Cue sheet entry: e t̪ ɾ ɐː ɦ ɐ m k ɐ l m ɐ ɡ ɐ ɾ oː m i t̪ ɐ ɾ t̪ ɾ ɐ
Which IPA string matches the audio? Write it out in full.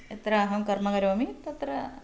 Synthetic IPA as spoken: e t̪ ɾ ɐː ɦ ɐ m k ɐ r m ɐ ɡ ɐ ɾ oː m i t̪ ɐ t̪ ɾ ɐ